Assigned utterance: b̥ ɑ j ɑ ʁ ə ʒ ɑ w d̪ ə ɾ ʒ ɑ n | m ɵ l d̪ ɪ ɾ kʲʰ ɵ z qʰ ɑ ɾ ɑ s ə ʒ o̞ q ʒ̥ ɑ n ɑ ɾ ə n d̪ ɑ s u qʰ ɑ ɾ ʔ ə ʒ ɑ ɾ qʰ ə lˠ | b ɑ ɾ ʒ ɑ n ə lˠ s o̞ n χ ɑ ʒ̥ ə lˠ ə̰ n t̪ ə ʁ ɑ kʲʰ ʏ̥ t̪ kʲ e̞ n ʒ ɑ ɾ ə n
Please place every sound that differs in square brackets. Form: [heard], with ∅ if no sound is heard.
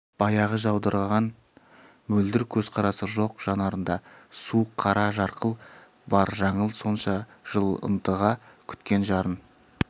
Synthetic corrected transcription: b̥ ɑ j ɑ ʁ ə ʒ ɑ w d̪ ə ɾ [ʁ] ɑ n | m ɵ l d̪ ɪ ɾ kʲʰ ɵ z qʰ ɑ ɾ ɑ s ə ʒ o̞ q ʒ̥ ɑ n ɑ ɾ ə n d̪ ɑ s u qʰ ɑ ɾ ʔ [ɑ] ʒ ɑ ɾ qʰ ə lˠ | b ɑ ɾ ʒ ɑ [ɴ] ə lˠ s o̞ n [ʃ] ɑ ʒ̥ ə lˠ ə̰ n t̪ ə ʁ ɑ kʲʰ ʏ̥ t̪ kʲ e̞ n ʒ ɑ ɾ ə n